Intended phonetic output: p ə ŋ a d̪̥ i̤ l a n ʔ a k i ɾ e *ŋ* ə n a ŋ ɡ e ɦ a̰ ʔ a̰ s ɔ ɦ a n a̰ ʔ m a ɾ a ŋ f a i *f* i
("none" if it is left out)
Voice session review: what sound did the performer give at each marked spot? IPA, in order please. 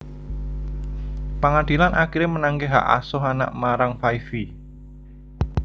m, f

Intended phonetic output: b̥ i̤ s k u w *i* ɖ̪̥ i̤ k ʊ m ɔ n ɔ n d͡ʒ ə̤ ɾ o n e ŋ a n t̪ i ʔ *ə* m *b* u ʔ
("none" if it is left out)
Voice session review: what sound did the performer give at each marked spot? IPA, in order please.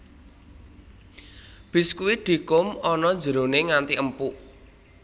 i, ə, p

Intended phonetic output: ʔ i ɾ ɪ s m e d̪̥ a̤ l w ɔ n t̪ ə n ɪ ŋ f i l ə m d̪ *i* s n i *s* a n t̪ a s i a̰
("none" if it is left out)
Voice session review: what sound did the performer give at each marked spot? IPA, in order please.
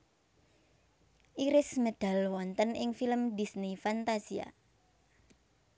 i, f

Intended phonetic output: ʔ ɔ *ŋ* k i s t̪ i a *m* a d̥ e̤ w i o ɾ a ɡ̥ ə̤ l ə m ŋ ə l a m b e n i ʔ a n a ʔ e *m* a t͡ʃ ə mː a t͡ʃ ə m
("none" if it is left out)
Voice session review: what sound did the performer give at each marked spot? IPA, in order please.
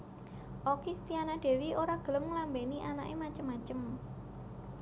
none, n, m

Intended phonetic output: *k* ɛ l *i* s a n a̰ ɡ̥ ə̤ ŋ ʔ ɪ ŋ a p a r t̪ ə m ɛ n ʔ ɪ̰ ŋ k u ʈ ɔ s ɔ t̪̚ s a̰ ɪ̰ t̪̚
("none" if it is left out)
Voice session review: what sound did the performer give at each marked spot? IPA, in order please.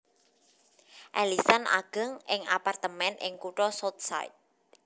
ʔ, i

